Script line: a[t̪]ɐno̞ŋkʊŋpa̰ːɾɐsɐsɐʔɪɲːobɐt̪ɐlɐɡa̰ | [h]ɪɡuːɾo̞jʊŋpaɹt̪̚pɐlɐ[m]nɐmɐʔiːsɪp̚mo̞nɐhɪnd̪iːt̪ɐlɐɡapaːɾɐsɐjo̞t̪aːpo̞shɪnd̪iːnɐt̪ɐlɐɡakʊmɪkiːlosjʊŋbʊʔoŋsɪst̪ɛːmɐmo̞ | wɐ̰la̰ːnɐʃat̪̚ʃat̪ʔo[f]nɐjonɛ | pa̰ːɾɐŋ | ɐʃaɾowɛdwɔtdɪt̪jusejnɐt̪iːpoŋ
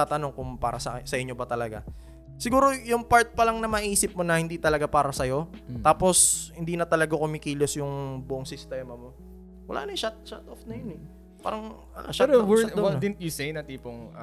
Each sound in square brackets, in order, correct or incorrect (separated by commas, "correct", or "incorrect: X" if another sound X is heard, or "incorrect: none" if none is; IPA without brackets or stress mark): correct, incorrect: s, incorrect: ŋ, correct